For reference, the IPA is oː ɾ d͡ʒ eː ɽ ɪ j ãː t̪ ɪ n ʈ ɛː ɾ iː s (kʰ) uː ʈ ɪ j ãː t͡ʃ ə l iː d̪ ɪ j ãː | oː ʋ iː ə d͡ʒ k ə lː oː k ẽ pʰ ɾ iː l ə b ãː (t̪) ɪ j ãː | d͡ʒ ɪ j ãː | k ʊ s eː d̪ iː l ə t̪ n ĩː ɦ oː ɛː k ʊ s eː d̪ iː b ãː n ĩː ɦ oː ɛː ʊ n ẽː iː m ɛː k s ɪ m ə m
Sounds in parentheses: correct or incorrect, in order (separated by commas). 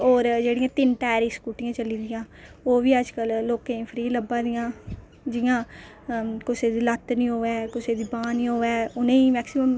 incorrect, incorrect